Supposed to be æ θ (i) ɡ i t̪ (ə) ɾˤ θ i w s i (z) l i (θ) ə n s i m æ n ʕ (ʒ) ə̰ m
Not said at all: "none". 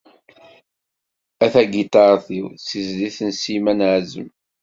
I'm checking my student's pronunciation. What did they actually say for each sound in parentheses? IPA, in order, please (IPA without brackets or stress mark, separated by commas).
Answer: æ, ɑ, z, θ, z